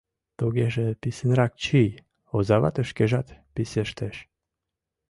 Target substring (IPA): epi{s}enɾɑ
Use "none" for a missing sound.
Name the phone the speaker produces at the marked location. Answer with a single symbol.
s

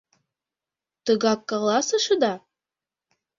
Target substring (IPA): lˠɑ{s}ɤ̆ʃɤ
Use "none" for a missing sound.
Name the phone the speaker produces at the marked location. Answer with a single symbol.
s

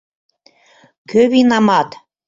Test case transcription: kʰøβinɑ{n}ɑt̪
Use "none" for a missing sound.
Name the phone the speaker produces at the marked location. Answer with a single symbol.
m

